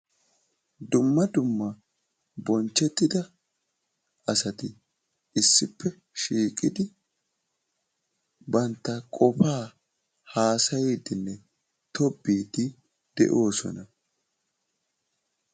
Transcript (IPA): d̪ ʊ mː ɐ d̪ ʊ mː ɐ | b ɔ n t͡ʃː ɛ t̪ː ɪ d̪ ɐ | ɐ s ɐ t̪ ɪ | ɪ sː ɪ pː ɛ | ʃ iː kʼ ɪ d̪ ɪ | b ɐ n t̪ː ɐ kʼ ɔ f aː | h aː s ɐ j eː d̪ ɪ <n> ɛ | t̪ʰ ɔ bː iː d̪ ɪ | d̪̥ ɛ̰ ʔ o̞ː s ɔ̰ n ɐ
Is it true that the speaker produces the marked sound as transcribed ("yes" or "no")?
no